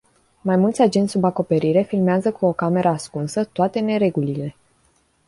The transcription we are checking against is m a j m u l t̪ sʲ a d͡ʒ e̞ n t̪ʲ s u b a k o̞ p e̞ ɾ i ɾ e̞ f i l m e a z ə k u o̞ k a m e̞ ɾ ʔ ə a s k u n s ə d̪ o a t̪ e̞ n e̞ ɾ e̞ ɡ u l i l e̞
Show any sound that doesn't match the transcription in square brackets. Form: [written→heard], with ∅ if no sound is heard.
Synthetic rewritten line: m a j m u l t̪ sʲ a d͡ʒ e̞ n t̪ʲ s u b a k o̞ p e̞ ɾ i ɾ e̞ f i l m e a z ə k u o̞ k a m e̞ ɾ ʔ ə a s k u n s ə [d̪→t̪] o a t̪ e̞ n e̞ ɾ e̞ ɡ u l i l e̞